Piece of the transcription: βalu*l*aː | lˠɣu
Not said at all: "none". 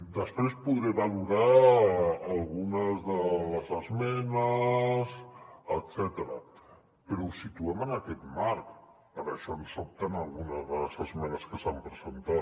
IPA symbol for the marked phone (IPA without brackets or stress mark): ɾ